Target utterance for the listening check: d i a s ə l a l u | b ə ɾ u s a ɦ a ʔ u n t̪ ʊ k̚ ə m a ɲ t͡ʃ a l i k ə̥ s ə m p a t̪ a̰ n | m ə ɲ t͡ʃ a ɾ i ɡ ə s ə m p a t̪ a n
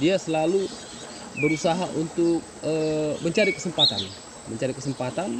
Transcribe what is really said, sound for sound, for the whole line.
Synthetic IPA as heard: d i a s ə l a l u | b ə ɾ u s a ɦ a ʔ u n t̪ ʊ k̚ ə m ə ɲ t͡ʃ a ɾ i k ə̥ s ə m p a t̪ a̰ n | m ə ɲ t͡ʃ a ɾ i k ə s ə m p a t̪ a n